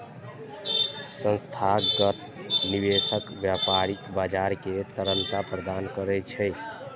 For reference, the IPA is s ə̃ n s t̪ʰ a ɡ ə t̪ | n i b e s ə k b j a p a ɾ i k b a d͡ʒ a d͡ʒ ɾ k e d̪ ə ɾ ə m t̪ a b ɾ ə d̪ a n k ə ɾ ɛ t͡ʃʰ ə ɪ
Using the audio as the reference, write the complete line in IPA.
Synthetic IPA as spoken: s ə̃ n s t̪ʰ a ɡ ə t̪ | n i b e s ə k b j a p a ɾ i k b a d͡ʒ a ɾ k e t̪ ə ɾ ə n t̪ a p ɾ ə d̪ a n k ə ɾ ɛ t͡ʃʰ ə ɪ